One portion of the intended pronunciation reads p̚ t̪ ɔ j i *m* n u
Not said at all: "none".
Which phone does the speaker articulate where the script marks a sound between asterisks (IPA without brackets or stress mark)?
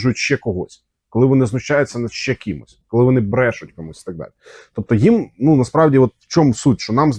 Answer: m